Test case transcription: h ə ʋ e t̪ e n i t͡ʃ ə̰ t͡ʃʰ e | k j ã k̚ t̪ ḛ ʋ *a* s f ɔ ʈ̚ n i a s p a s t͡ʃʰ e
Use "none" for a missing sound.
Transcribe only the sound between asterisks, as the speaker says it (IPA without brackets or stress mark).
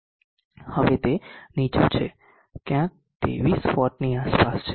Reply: i